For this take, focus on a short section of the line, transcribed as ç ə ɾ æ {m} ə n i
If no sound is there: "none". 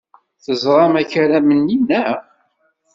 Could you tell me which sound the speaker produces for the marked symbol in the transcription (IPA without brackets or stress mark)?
m